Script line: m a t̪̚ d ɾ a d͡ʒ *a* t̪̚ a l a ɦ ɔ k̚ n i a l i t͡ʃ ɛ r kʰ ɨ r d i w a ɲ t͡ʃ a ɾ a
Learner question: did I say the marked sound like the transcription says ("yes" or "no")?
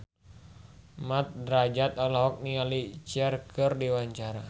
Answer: yes